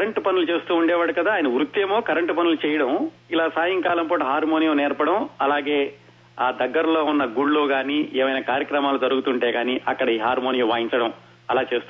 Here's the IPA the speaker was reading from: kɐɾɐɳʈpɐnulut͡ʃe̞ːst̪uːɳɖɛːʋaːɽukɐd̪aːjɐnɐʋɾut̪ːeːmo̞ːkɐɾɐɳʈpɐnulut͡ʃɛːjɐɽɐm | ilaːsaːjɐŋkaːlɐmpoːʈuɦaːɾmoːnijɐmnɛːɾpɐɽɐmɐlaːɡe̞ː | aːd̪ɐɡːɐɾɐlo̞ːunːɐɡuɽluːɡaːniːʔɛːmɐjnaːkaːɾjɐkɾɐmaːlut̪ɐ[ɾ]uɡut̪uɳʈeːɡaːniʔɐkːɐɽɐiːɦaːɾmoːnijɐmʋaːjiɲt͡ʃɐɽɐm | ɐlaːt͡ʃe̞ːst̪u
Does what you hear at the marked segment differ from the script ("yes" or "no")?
no